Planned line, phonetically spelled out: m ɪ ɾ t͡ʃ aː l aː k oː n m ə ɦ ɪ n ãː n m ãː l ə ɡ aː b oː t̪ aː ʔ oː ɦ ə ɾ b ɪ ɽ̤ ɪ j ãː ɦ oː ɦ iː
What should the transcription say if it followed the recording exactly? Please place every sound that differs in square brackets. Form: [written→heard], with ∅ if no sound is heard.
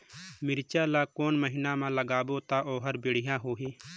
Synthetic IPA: m ɪ ɾ t͡ʃ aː l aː k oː n m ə ɦ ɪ n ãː [n→∅] m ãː l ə ɡ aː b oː t̪ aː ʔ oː ɦ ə ɾ b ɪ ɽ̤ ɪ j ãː ɦ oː ɦ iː